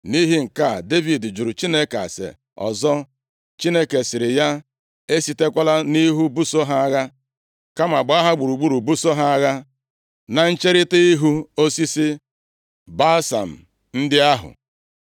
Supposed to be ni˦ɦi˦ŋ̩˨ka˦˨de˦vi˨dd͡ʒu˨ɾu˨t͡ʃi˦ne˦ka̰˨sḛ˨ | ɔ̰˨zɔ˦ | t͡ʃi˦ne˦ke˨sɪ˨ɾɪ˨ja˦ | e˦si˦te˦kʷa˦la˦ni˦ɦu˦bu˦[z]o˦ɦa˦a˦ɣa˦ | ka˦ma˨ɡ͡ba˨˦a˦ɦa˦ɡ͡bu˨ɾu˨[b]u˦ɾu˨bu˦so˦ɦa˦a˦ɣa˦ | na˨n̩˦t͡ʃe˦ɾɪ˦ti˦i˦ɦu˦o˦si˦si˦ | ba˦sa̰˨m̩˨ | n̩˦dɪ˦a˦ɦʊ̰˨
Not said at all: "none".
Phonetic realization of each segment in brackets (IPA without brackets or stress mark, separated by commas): s, ɡ͡b